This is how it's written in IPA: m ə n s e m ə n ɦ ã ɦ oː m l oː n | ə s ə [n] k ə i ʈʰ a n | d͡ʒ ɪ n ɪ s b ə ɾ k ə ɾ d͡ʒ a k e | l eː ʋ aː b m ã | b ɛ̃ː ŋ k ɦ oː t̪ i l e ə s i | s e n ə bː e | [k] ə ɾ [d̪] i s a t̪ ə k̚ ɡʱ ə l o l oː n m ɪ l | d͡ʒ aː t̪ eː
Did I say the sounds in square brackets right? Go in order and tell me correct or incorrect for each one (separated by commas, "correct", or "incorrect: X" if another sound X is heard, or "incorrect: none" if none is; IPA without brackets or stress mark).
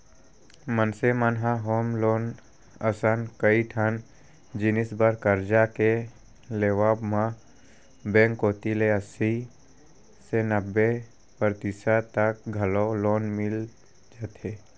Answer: correct, incorrect: p, incorrect: t̪